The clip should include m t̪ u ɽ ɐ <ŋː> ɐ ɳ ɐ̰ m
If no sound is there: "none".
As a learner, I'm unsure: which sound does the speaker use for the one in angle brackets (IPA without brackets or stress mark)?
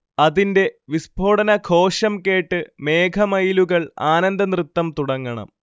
ŋː